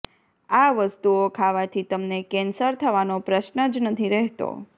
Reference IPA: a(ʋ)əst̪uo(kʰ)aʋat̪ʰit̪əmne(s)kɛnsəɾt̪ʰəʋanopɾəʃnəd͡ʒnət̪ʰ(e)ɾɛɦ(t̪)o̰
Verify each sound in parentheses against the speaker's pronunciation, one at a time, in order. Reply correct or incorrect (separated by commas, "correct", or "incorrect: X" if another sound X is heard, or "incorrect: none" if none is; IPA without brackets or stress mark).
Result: correct, correct, incorrect: none, incorrect: i, correct